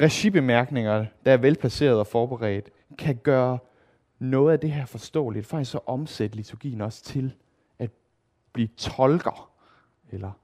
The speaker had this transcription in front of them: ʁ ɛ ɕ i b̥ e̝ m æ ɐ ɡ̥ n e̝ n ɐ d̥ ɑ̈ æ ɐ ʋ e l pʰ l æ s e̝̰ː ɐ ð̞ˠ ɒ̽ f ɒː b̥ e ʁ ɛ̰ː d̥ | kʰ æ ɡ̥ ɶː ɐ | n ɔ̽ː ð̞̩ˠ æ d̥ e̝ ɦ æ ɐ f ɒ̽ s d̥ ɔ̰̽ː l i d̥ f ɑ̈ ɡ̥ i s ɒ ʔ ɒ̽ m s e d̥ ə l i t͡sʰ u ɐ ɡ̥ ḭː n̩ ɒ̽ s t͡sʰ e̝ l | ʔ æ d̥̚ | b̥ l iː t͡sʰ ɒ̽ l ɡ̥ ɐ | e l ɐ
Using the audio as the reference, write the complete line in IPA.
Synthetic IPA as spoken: ʁ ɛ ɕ i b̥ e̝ m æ ɐ ɡ̥ n e̝ ŋ ɐ d̥ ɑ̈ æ ɐ ʋ e l pʰ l æ s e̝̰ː ɐ ð̞ˠ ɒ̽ f ɒː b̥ e ʁ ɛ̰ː d̥ | kʰ æ ɡ̥ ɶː ɐ | n ɔ̽ː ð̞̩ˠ æ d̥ e̝ ɦ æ ɐ f ɒ̽ s d̥ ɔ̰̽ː l i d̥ f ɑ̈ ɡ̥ i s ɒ ʔ ɒ̽ m s e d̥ ə l i t͡sʰ u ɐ ɡ̥ ḭː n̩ ɒ̽ s t͡sʰ e̝ l | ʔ æ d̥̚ | b̥ l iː t͡sʰ ɒ̽ l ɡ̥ ɐ | e l ɐ